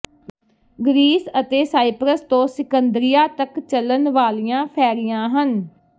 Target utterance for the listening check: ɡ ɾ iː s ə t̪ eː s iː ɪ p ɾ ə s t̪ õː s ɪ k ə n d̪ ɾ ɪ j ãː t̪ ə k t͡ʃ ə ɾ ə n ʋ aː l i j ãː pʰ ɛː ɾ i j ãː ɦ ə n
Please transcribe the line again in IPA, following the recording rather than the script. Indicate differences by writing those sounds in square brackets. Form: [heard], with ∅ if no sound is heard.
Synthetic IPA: ɡ ɾ iː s ə t̪ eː s [aː] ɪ p ɾ ə s t̪ õː s ɪ k ə n d̪ ɾ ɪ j [aː] t̪ ə k t͡ʃ ə [l] ə n ʋ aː l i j ãː pʰ ɛː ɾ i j ãː ɦ ə n